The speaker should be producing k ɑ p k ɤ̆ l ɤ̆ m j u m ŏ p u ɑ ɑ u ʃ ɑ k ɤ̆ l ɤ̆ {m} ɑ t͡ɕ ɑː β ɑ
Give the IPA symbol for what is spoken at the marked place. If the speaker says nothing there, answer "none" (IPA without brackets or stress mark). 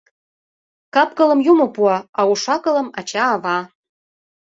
m